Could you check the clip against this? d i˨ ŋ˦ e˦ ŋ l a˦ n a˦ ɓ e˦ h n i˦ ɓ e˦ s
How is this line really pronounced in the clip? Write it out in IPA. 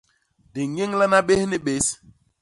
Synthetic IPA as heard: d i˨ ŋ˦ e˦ ŋ l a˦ n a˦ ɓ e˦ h n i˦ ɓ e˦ s